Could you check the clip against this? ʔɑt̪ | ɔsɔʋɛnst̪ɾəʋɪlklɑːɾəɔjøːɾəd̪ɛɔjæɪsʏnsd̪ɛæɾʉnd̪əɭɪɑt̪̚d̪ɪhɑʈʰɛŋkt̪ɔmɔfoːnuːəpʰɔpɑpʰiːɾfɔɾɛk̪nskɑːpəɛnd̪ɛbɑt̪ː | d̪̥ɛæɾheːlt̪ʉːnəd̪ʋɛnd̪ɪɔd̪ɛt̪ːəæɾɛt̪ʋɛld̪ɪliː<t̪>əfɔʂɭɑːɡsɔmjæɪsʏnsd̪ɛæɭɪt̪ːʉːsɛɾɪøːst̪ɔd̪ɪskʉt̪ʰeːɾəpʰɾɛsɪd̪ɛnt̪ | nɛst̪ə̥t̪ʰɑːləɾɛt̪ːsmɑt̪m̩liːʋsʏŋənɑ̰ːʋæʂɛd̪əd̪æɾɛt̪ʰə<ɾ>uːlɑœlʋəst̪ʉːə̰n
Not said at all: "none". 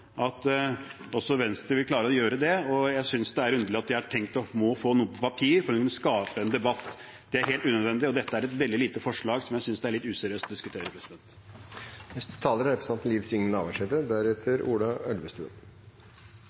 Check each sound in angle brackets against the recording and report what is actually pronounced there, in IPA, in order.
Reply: t̪, ɾ

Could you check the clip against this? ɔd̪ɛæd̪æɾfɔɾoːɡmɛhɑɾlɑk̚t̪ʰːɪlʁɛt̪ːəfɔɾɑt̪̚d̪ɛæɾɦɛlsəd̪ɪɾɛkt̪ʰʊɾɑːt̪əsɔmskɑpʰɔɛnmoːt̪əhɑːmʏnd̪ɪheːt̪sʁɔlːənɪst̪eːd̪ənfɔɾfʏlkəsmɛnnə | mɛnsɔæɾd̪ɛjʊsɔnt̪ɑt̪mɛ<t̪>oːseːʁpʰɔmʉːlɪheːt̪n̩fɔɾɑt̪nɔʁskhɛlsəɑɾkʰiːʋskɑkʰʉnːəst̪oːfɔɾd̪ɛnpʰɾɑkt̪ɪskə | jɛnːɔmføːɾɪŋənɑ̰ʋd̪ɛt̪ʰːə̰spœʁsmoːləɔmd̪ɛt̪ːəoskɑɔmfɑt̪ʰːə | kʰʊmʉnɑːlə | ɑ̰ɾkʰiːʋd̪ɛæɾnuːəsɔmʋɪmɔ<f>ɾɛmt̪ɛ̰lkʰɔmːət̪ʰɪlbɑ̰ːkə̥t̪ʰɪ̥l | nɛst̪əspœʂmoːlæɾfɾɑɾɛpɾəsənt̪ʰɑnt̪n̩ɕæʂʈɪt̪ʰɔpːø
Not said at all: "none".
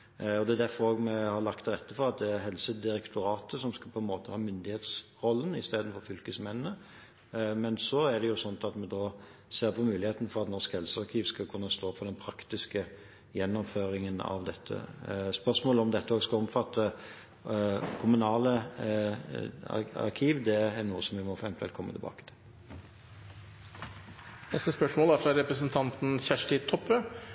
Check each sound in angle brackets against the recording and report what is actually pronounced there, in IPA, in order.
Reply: d̪, f

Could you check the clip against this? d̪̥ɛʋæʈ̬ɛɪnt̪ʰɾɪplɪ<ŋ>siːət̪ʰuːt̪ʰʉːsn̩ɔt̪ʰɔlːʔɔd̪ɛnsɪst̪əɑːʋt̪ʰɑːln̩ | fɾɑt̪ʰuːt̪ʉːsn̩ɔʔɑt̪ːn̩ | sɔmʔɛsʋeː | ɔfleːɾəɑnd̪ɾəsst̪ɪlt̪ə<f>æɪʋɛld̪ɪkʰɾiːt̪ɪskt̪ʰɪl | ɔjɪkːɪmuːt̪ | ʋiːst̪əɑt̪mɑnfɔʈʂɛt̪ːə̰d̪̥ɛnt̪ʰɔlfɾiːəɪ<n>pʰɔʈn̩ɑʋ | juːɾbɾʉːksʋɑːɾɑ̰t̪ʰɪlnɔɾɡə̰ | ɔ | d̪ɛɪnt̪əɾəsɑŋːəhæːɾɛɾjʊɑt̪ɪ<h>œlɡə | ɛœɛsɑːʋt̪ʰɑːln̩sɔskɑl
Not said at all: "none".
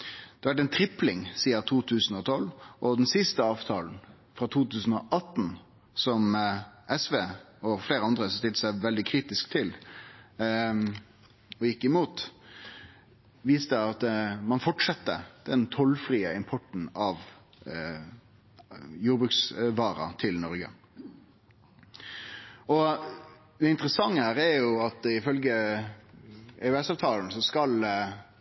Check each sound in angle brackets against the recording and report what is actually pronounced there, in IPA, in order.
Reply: ŋ, s, m, f

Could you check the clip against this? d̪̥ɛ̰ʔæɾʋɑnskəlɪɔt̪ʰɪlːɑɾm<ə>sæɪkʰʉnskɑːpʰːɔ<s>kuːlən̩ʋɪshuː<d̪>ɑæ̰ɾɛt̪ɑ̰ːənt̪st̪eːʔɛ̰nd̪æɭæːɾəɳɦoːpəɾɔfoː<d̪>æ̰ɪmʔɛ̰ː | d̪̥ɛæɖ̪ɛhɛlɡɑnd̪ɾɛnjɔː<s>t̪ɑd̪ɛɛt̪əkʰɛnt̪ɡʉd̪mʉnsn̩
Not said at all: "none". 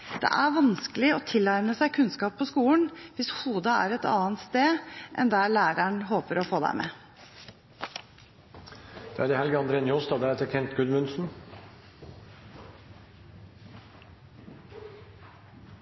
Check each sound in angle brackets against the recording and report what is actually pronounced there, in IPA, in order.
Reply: ə, s, d̪, d̪, s

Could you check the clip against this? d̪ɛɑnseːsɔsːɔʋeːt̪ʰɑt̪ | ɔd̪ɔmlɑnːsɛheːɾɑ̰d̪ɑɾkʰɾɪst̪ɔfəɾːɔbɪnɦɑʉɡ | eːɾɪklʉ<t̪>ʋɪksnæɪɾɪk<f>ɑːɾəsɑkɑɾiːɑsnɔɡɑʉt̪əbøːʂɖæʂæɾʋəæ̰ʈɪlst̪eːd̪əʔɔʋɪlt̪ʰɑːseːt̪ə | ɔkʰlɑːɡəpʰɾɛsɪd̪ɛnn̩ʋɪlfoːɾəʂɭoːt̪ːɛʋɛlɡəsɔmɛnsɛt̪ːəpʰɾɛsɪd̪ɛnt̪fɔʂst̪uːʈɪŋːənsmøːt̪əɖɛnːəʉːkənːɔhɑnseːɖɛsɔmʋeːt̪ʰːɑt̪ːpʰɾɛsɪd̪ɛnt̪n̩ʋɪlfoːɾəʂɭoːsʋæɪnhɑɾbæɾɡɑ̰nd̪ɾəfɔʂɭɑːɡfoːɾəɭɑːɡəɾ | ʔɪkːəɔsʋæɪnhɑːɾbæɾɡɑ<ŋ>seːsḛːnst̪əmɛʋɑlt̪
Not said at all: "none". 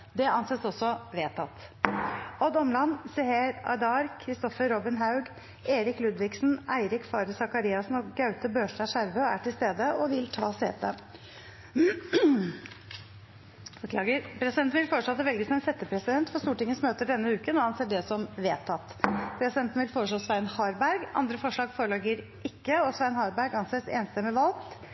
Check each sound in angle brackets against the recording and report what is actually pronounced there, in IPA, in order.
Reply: d̪, f, n

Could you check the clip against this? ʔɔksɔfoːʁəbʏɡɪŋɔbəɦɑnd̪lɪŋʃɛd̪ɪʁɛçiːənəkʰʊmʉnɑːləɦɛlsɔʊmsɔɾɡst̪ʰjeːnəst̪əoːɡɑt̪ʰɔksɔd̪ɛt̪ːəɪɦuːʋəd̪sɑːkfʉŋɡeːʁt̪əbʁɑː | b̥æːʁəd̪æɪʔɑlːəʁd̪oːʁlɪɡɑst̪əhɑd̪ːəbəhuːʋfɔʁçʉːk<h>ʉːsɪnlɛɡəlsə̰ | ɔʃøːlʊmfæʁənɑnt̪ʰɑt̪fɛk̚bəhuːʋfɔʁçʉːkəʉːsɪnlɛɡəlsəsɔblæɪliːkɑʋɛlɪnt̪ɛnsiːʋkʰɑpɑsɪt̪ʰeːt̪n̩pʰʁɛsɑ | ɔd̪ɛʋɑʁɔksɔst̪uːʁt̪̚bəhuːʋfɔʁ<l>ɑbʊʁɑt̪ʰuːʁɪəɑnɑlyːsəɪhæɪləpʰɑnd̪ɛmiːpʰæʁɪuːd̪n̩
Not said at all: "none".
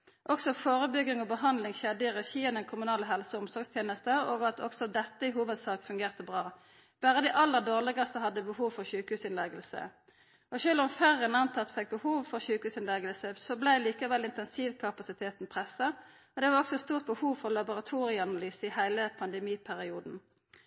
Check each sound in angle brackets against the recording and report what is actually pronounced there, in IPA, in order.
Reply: h, l

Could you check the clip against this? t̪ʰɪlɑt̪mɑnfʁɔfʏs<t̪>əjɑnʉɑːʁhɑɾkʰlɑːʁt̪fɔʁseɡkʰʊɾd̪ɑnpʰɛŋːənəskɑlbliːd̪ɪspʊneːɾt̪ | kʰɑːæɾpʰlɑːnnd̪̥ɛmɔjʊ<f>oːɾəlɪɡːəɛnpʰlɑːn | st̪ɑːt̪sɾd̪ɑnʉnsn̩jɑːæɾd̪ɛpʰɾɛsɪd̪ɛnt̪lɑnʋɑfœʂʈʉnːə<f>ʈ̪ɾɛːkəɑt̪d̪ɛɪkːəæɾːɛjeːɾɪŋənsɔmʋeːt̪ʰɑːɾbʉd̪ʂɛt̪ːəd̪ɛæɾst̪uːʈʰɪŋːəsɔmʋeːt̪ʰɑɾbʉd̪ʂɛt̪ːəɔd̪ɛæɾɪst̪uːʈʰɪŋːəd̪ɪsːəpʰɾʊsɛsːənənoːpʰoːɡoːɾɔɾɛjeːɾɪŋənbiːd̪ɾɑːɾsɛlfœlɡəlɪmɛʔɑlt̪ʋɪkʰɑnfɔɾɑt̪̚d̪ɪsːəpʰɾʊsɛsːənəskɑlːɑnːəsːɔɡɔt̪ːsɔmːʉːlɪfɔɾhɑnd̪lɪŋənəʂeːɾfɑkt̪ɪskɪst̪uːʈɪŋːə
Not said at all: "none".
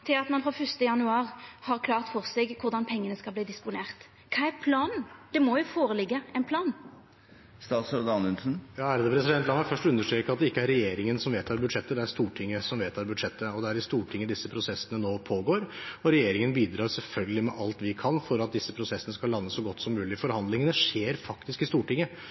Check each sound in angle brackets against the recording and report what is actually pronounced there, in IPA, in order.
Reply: t̪, f, ʂ

